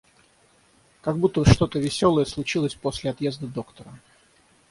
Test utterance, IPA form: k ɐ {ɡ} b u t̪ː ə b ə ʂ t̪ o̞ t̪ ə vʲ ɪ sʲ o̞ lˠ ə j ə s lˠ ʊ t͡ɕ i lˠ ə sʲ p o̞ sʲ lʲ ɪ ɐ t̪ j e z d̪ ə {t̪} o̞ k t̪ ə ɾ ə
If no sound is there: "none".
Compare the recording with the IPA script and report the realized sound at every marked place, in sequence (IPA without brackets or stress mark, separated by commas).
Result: ɡ, d̪